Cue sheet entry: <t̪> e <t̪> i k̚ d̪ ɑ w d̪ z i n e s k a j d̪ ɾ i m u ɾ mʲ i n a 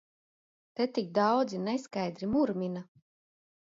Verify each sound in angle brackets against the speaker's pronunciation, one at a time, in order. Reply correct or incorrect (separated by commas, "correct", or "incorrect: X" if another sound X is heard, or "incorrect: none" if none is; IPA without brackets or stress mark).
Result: correct, correct